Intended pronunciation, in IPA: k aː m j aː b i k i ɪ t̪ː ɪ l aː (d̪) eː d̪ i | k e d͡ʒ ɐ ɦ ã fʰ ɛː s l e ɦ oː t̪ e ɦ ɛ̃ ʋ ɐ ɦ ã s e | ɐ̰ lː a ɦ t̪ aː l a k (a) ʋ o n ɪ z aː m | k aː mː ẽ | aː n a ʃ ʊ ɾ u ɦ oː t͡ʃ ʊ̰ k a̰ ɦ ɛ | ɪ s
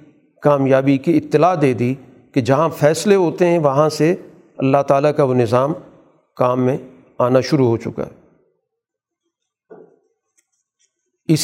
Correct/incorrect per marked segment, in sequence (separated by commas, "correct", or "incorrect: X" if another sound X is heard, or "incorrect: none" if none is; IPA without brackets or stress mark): correct, correct